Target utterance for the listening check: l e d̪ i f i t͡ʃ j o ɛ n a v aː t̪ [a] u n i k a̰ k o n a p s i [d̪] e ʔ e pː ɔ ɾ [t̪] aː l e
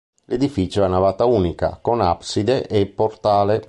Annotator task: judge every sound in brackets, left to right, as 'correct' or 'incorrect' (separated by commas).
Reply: correct, correct, correct